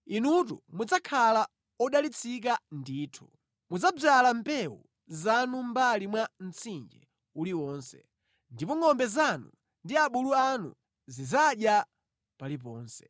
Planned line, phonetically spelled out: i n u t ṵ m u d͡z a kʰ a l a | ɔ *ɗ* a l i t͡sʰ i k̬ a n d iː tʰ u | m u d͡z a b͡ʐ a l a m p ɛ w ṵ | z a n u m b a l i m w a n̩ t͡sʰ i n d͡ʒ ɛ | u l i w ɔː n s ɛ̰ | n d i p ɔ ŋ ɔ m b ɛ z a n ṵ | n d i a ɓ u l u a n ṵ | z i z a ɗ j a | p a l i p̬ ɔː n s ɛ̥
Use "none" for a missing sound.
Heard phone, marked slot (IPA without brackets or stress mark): ɗ